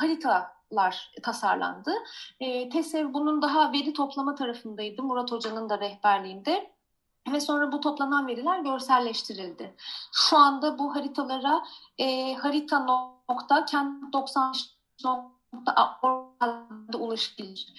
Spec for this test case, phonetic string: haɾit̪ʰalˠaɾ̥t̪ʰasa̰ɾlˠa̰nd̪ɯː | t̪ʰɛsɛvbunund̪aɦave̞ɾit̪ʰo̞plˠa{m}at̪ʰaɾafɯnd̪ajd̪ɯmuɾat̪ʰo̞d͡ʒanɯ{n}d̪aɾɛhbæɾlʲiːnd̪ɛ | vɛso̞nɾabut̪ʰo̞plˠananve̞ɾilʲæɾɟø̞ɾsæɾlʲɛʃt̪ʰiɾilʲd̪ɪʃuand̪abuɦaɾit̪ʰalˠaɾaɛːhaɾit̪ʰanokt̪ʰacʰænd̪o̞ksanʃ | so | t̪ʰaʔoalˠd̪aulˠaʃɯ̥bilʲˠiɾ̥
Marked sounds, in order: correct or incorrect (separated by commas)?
correct, correct